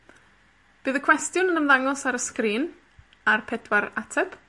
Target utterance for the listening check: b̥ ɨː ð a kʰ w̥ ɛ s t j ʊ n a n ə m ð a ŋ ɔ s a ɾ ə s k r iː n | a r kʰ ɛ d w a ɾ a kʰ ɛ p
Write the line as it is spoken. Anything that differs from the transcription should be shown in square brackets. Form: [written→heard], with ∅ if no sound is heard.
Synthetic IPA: b̥ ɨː ð [a→ə] kʰ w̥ ɛ s t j ʊ n [a→ə] n ə m ð a ŋ ɔ s a ɾ ə s k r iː n | a r [kʰ→pʰ] ɛ d w a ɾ a [kʰ→tʰ] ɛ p